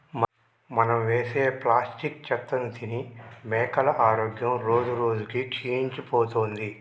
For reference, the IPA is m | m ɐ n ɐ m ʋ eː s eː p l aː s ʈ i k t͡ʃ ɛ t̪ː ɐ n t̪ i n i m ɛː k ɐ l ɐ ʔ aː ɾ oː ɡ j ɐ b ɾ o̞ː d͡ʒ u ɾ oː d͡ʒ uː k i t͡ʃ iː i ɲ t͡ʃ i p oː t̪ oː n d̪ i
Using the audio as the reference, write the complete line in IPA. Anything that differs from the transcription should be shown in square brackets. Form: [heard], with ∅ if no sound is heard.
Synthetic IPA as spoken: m | m ɐ n ɐ m ʋ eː s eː p l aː s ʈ i k t͡ʃ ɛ t̪ː ɐ n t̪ i n i m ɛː k ɐ l ɐ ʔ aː ɾ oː ɡ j ɐ [m] ɾ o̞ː d͡ʒ u ɾ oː d͡ʒ [u] k i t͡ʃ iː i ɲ t͡ʃ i p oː t̪ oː n d̪ i